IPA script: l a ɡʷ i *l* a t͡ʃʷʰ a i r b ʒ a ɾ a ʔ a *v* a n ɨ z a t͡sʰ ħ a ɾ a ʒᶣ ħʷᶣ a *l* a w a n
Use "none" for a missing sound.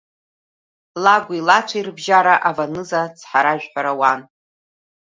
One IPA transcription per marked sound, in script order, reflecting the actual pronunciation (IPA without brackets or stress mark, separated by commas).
l, v, ɾ